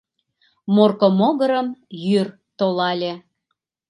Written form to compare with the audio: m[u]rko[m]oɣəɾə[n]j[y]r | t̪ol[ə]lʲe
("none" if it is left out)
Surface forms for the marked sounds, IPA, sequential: o, m, m, y, ɑ

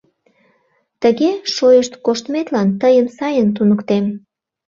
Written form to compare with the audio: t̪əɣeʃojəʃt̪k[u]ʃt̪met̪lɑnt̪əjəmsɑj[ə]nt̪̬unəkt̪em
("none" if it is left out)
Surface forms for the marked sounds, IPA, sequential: o, ə

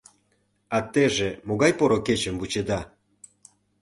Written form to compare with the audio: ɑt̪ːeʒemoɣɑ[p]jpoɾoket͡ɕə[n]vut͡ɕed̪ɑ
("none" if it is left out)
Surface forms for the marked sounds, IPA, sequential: none, m

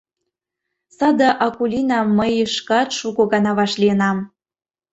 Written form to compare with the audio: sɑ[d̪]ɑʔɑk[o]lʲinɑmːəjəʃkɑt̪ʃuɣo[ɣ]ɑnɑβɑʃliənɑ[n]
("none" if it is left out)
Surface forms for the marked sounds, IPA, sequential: d̪, u, ɣ, m

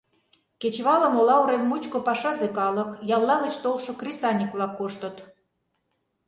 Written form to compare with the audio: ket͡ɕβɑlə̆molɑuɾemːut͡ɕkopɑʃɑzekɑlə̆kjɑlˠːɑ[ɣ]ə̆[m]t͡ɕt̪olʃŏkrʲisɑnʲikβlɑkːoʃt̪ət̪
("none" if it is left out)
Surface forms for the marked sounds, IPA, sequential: ɣ, none

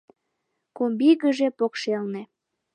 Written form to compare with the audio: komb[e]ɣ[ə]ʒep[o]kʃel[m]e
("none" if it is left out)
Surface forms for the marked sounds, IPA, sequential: i, ə, o, n

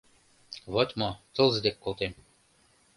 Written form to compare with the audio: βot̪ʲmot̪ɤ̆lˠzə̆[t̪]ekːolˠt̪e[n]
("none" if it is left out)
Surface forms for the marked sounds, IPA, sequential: d̪, m

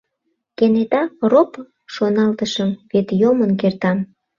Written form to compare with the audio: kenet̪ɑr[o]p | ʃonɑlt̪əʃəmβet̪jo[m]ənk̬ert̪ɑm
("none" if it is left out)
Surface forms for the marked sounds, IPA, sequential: o, m

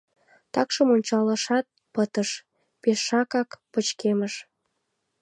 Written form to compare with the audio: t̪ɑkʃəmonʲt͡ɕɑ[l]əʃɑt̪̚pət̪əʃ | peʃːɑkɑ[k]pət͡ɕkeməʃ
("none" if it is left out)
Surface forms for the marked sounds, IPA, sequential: l, k

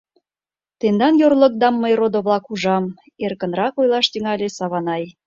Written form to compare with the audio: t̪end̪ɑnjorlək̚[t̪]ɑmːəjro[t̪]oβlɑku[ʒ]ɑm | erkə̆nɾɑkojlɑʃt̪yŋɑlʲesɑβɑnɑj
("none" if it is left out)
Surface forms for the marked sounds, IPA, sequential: d̪, d̪, ʒ

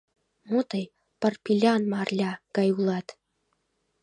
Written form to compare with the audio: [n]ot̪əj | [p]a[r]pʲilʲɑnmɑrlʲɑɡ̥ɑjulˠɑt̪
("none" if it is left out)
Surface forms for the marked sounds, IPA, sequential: m, p, r

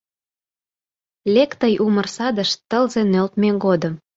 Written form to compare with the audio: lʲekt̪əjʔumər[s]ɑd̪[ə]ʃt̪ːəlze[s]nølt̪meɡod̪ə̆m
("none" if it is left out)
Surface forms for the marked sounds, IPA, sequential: s, ə, none

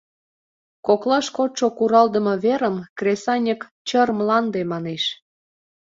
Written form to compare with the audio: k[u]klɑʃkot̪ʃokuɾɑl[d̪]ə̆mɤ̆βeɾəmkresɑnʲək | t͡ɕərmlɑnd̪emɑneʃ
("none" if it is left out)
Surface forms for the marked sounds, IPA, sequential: o, d̪

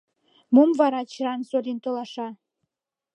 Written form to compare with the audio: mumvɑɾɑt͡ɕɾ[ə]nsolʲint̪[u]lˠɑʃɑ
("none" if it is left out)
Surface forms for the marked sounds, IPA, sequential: ɑ, o

